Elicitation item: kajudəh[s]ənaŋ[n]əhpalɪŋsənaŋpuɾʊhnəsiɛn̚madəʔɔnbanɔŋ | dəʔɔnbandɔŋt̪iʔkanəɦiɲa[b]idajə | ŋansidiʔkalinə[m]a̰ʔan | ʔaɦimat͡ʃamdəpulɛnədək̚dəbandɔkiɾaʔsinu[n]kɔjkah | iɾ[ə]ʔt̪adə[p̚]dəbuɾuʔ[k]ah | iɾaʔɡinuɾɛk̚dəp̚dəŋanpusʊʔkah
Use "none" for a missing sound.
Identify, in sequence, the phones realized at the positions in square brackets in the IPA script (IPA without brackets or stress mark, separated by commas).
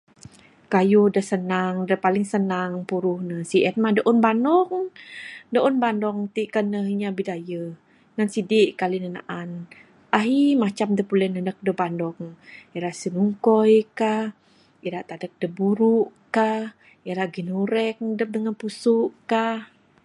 s, d, b, n, ŋ, a, k̚, k